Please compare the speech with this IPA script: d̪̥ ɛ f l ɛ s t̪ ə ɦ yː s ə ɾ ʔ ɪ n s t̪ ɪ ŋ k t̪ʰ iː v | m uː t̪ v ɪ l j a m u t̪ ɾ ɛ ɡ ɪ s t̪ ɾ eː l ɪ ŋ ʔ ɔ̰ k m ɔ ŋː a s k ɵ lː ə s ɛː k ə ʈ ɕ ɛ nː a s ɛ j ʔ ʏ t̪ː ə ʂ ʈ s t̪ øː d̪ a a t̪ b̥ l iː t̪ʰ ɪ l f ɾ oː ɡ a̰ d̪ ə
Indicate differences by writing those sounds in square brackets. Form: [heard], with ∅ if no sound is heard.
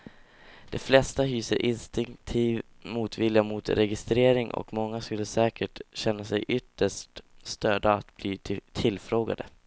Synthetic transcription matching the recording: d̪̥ ɛ f l ɛ s t̪ [a] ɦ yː s ə ɾ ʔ ɪ n s t̪ ɪ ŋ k t̪ʰ iː v | m uː t̪ v ɪ l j a m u t̪ ɾ ɛ ɡ ɪ s t̪ ɾ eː [ɾ] ɪ ŋ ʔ ɔ̰ k m ɔ ŋː a s k ɵ lː ə s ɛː k ə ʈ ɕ ɛ nː a s ɛ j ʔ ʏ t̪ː ə ʂ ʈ s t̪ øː d̪ a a t̪ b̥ l iː t̪ʰ ɪ l f ɾ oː ɡ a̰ d̪ ə